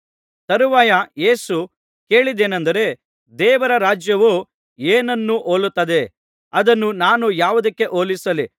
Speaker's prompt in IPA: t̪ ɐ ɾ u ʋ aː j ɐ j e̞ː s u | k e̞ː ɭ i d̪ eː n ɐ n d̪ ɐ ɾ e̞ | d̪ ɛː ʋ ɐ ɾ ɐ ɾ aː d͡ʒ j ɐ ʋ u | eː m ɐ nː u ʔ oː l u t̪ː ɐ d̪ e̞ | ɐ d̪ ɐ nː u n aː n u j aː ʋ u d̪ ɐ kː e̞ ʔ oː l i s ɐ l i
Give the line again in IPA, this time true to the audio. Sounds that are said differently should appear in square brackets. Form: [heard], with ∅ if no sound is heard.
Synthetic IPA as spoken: t̪ ɐ ɾ u ʋ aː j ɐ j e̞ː s u | k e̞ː ɭ i d̪ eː n ɐ n d̪ ɐ ɾ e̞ | d̪ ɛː ʋ ɐ ɾ ɐ ɾ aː d͡ʒ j ɐ ʋ u | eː [n] ɐ nː u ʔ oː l u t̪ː ɐ d̪ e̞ | ɐ d̪ ɐ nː u n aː n u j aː ʋ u d̪ ɐ kː e̞ ʔ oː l i s ɐ l i